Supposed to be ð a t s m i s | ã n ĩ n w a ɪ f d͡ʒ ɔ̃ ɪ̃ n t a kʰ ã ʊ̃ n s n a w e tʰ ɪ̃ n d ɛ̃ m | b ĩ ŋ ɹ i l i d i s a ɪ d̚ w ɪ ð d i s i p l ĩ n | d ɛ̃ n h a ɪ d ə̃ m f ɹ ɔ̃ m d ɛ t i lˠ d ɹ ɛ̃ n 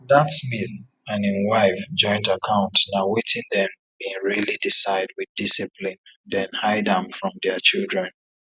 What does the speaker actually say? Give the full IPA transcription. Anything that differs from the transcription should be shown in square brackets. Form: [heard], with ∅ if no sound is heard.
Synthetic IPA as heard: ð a t s m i [θ] | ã n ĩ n w a ɪ f d͡ʒ ɔ̃ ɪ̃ n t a kʰ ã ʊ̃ n [t] n a w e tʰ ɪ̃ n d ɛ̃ m | b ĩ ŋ ɹ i l i d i s a ɪ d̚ w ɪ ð d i s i p l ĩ n | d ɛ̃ n h a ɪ d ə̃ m f ɹ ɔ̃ m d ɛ [t͡ʃ] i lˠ d ɹ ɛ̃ n